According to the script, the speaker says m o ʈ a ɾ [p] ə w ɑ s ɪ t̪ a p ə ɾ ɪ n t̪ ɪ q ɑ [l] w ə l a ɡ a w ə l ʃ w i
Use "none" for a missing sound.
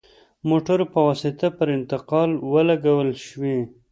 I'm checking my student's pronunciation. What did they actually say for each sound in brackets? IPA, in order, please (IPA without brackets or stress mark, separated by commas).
p, l